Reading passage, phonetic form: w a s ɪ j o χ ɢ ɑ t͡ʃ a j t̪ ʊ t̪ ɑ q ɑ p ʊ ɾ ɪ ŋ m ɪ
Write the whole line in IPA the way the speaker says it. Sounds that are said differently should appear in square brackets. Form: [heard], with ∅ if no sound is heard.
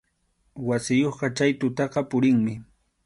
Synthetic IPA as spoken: w a s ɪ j o χ ɢ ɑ t͡ʃ a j t̪ ʊ t̪ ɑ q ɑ p ʊ ɾ ɪ ŋ m ɪ